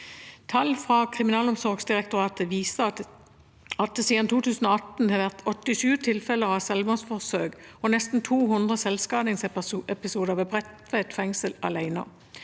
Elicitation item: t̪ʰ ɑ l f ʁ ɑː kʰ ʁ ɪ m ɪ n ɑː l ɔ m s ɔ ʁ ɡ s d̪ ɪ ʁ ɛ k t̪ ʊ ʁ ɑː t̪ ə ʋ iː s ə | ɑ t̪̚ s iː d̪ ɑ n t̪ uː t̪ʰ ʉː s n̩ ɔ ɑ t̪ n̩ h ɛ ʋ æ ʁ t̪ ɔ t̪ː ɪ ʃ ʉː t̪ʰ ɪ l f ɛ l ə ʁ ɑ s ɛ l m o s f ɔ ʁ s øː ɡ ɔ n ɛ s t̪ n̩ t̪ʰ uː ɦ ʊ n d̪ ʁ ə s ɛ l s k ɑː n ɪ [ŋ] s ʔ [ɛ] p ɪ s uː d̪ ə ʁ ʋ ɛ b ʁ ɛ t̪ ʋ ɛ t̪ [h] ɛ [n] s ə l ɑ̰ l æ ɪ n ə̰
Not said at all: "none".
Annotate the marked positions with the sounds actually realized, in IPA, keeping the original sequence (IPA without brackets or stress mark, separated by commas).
ŋ, ɛ, f, ŋ